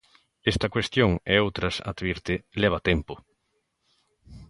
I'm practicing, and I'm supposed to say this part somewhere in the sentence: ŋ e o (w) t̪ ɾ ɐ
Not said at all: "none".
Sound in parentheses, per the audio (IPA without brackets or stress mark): w